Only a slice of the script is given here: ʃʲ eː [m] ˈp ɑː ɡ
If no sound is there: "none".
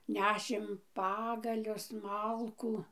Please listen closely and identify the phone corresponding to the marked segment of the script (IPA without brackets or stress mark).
m